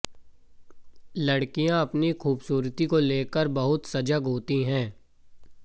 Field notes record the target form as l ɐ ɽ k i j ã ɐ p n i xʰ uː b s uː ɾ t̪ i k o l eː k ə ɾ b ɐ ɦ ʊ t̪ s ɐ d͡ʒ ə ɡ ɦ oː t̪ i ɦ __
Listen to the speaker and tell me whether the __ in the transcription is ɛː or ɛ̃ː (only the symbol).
ɛ̃ː